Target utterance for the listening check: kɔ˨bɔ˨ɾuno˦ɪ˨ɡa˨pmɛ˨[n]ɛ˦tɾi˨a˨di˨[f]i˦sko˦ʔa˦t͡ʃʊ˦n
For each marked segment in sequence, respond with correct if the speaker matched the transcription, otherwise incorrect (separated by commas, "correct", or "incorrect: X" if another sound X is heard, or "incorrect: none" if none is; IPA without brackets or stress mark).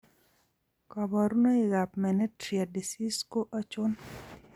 correct, incorrect: s